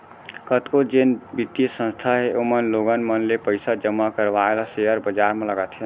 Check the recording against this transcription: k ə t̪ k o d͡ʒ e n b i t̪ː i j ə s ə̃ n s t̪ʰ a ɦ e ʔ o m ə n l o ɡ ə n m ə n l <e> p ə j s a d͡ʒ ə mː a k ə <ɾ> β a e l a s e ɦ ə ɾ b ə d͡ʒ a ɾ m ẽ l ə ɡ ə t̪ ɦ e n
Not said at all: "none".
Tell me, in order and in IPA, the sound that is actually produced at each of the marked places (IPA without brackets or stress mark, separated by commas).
e, ɾ